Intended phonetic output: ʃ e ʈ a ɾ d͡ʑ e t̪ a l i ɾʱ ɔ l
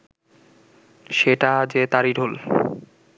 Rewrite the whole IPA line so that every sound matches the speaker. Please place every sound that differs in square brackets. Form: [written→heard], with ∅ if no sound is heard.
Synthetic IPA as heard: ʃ e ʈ a [ɾ→∅] d͡ʑ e t̪ a [l→ɾ] i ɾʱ [ɔ→o] l